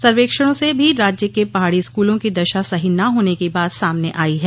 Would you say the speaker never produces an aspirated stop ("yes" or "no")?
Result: yes